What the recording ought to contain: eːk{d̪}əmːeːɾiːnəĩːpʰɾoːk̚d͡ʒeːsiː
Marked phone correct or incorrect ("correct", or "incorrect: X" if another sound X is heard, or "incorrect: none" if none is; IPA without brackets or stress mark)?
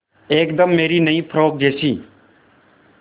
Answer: correct